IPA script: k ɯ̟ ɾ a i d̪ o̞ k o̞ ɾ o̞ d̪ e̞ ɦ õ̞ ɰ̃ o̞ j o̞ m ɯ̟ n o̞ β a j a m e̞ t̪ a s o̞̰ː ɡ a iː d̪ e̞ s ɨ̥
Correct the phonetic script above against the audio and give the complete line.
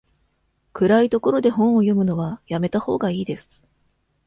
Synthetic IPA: k ɯ̟ ɾ a i t̪ o̞ k o̞ ɾ o̞ d̪ e̞ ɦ õ̞ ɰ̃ o̞ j o̞ m ɯ̟ n o̞ β a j a m e̞ t̪ a h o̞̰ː ɡ a iː d̪ e̞ s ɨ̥

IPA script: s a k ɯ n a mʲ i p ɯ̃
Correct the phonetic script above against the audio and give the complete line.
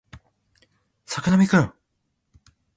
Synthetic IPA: s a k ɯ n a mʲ i k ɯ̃

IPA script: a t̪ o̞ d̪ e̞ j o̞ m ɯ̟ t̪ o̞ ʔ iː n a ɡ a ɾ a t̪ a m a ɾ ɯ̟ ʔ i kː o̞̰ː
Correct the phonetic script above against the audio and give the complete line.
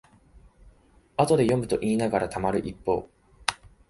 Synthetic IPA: a t̪ o̞ d̪ e̞ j o̞ m ɯ̟ t̪ o̞ ʔ iː n a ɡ a ɾ a t̪ a m a ɾ ɯ̟ ʔ i pː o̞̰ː

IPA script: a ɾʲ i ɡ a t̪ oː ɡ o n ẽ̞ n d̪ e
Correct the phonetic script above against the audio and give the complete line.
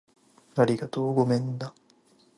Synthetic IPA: a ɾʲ i ɡ a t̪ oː ɡ o m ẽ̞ n d̪ a

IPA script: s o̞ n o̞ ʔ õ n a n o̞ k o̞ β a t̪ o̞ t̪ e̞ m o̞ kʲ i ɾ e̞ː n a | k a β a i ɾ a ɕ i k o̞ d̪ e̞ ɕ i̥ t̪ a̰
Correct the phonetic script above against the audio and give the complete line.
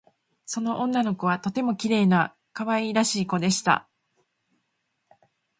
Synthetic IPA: s o̞ n o̞ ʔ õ nː a n o̞ k o̞ β a t̪ o̞ t̪ e̞ m o̞ kʲ i ɾ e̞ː n a | k a β a i ɾ a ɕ iː k o̞ d̪ e̞ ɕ i̥ t̪ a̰

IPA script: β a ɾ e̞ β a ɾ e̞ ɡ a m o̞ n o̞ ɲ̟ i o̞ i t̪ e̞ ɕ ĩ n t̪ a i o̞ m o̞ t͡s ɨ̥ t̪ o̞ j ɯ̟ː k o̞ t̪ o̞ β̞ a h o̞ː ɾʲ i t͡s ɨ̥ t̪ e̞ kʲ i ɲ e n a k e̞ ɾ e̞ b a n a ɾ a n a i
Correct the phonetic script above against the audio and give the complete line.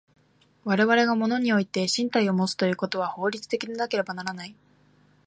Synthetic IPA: β a ɾ e̞ β a ɾ e̞ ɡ a m o̞ n o̞ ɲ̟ i o̞ i t̪ e̞ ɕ ĩ n t̪ a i o̞ m o̞ t͡s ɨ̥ t̪ o̞ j ɯ̟ː k o̞ t̪ o̞ β̞ a h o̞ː ɾʲ i t͡s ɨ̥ t̪ e̞ kʲ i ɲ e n a k e̞ ɾ e̞ b a n a ɾ a n a i

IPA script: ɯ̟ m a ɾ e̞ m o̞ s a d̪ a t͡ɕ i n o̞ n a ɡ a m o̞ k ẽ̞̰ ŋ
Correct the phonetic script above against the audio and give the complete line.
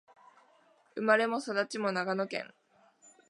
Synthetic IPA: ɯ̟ m a ɾ e̞ m o̞ s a d̪ a t͡ɕ i m o̞ n a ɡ a n o̞ k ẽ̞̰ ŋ

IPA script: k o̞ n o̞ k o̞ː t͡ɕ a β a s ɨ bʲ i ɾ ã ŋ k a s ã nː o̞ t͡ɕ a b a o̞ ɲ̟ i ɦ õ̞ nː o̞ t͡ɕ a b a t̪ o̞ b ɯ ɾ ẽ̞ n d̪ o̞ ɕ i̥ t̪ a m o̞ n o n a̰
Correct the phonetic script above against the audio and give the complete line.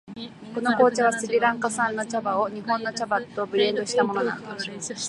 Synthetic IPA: k o̞ n o̞ k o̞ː t͡ɕ a β a s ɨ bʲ i ɾ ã ŋ k a s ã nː o̞ t͡ɕ a b a o̞ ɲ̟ i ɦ õ̞ nː o̞ t͡ɕ a b a t̪ o̞ b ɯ ɾ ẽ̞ n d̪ o̞ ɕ i̥ t̪ a m o̞ n o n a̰

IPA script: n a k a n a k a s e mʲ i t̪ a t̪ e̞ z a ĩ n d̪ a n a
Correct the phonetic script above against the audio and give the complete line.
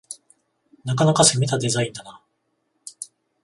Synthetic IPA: n a k a n a k a s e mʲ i t̪ a d̪ e̞ z a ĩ n d̪ a n a

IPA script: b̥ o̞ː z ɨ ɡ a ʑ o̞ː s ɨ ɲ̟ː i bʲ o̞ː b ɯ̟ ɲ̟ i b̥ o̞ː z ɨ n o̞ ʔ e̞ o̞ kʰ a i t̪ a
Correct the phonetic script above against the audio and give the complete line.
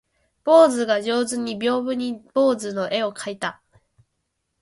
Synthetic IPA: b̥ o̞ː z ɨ ɡ a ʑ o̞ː z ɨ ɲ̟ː i bʲ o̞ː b ɯ̟ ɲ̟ i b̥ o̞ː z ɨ n o̞ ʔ e̞ o̞ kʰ a i t̪ a

